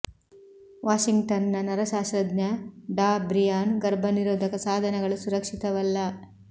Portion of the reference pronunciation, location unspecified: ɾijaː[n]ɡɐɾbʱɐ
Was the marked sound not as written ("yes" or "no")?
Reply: no